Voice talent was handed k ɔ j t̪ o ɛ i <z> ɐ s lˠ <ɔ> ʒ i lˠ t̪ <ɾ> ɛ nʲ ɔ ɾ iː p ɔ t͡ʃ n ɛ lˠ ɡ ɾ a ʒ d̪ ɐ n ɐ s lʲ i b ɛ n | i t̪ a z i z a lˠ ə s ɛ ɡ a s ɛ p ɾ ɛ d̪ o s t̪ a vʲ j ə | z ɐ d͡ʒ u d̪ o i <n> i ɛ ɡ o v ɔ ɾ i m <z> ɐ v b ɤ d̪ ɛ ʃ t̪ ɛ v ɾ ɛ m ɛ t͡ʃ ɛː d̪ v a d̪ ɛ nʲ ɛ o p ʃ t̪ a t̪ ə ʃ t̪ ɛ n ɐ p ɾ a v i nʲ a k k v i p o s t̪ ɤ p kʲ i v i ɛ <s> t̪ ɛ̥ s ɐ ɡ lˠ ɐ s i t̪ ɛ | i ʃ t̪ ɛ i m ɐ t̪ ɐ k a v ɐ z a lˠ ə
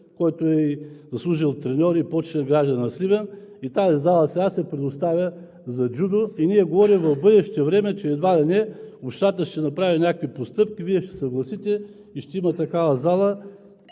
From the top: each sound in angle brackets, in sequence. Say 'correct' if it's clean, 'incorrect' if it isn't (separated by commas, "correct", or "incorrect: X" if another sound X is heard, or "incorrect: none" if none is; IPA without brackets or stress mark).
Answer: correct, incorrect: u, correct, correct, incorrect: v, incorrect: ʃ